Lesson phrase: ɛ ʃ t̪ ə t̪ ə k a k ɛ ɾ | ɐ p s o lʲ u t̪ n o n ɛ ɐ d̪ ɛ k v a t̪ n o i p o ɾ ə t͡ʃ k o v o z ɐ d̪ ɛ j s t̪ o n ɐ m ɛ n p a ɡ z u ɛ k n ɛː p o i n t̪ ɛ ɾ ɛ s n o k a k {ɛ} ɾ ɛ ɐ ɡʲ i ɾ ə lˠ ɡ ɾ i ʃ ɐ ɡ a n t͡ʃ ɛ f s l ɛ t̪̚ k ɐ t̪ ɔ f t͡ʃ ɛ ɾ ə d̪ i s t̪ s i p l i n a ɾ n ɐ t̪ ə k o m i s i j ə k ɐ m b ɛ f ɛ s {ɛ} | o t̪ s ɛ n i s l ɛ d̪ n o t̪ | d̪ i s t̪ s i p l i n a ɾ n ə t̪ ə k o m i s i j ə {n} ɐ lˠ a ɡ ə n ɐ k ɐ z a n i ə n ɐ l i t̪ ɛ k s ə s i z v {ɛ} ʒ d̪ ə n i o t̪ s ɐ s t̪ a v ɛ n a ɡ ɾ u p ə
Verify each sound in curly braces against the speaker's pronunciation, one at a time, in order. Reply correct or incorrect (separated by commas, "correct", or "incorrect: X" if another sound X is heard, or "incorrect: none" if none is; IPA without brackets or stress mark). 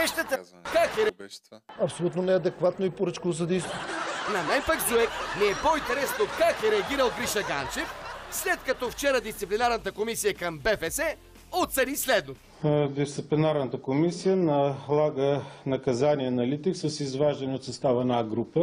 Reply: correct, correct, correct, incorrect: a